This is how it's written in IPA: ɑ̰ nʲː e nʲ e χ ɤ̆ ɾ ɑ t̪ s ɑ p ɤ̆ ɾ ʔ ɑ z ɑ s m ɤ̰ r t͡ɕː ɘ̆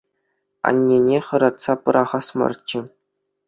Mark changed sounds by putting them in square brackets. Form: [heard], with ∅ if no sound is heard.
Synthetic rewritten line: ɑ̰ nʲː e nʲ e χ ɤ̆ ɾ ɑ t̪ s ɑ p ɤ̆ ɾ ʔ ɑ [ʁ] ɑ s m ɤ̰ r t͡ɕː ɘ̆

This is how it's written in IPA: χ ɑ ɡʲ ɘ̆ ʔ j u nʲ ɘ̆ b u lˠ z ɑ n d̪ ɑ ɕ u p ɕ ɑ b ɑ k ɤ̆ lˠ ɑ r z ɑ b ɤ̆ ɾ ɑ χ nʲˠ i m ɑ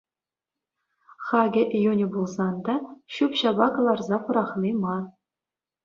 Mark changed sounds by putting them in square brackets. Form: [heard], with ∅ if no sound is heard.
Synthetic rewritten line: χ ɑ ɡʲ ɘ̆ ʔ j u nʲ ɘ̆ b u lˠ z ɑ n d̪ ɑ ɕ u p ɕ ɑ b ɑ k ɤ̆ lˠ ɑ r z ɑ [p] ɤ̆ ɾ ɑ χ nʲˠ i m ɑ

